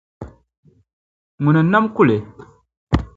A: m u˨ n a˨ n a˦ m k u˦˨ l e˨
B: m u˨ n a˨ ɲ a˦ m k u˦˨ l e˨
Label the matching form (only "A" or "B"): A